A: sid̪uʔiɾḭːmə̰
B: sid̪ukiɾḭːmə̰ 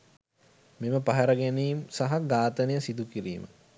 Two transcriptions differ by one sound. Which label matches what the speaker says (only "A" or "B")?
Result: B